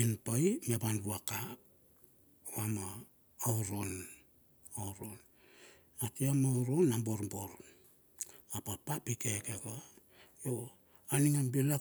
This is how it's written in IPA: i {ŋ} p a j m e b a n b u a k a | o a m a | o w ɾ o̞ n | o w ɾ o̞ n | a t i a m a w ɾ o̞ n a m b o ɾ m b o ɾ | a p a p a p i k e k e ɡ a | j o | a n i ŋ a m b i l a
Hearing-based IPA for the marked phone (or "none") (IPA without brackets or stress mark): n